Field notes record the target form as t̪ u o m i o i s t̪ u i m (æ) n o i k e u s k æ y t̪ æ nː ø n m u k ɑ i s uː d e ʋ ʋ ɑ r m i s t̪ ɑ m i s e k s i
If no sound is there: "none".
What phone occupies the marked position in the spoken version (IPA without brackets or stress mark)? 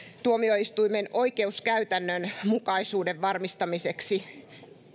e